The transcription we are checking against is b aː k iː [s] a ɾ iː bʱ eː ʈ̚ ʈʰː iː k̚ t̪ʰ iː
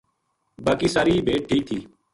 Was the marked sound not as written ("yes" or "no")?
no